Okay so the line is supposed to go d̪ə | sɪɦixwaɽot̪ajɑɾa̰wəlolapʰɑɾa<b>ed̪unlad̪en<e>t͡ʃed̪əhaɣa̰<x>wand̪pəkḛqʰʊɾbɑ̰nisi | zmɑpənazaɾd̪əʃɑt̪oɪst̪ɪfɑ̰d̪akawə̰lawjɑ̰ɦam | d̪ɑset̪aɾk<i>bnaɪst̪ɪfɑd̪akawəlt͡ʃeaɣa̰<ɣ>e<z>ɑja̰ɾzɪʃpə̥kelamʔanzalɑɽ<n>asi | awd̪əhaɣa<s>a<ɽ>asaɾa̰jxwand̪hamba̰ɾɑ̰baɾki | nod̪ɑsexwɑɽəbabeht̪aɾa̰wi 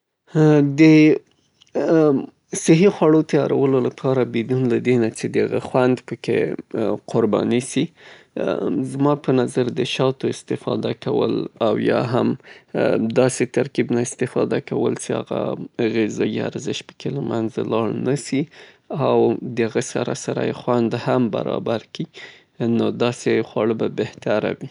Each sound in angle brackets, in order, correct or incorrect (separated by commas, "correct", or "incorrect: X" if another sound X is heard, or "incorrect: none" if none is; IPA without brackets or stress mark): correct, incorrect: a, correct, correct, correct, correct, correct, correct, incorrect: ɾ